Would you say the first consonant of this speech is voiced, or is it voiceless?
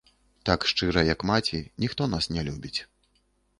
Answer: voiceless